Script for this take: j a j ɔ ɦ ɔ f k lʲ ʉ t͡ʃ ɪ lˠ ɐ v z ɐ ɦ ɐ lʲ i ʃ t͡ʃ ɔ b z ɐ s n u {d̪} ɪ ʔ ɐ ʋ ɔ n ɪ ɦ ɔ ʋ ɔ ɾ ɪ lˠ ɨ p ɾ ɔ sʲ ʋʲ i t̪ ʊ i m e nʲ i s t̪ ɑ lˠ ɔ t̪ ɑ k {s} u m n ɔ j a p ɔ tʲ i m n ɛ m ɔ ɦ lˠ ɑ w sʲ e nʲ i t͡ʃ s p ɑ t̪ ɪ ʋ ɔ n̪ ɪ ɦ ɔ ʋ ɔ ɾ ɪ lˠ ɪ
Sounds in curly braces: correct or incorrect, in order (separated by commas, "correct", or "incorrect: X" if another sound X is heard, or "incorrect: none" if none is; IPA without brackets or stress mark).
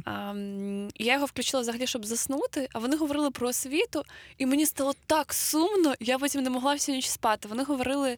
incorrect: t̪, correct